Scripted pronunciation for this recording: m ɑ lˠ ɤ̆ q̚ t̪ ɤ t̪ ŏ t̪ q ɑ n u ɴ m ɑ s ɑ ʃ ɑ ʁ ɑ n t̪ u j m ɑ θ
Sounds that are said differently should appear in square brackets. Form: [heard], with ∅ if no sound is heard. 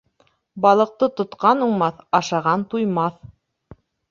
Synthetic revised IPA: [b] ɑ lˠ ɤ̆ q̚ t̪ ɤ t̪ ŏ t̪ q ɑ n u ɴ m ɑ [θ] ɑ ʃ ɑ ʁ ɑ n t̪ u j m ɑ θ